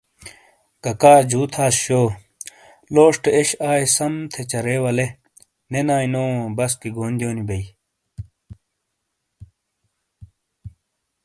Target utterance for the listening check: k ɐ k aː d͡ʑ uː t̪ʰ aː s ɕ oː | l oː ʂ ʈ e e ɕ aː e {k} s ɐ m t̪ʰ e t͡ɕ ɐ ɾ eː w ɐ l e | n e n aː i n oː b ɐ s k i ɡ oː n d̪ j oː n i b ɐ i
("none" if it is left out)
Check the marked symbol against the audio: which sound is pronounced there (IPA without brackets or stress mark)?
none